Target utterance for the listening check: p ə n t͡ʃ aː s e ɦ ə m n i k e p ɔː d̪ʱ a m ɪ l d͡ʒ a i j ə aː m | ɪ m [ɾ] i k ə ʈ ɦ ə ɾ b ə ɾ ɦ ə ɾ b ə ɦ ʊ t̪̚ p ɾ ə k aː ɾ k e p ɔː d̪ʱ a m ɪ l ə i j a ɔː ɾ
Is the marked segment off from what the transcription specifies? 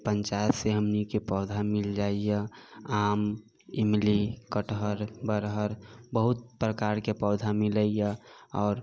yes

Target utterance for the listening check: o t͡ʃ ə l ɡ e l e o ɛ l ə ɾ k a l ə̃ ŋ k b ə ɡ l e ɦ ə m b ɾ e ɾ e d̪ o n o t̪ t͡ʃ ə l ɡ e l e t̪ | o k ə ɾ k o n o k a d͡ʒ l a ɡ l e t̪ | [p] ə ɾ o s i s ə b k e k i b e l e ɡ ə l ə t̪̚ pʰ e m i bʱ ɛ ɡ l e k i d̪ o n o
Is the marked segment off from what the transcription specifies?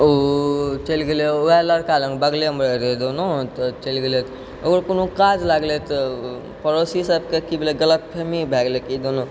no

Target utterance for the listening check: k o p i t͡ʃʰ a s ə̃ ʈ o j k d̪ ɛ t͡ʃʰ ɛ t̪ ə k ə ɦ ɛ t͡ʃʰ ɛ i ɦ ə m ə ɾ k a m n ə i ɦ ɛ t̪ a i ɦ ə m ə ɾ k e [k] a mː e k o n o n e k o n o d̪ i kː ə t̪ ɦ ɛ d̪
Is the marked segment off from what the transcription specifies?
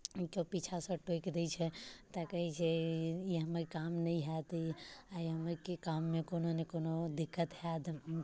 no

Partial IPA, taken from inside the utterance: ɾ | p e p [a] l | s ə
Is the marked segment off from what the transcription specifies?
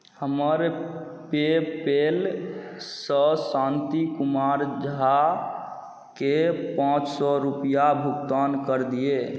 yes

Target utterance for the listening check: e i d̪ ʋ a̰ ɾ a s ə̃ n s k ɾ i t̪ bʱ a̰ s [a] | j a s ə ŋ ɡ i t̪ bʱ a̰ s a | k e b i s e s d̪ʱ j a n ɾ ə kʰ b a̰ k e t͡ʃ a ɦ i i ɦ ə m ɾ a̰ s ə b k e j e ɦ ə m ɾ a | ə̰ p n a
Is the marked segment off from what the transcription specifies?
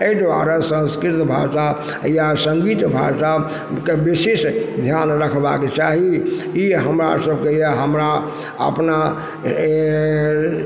no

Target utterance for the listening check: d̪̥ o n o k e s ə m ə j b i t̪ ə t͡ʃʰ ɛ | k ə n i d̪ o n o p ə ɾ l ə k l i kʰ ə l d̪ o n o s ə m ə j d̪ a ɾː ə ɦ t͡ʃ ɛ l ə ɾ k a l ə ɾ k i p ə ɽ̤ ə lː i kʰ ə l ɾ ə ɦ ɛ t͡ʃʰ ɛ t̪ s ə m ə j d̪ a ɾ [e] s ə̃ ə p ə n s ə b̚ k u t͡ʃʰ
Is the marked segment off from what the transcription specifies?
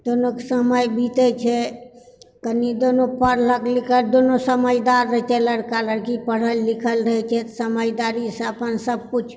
yes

